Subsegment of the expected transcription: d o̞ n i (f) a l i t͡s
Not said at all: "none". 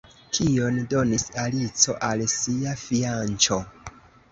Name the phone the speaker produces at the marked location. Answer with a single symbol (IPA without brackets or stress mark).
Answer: s